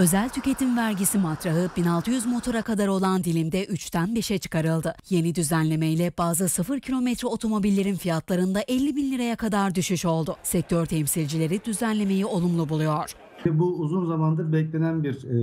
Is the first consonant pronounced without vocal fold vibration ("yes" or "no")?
no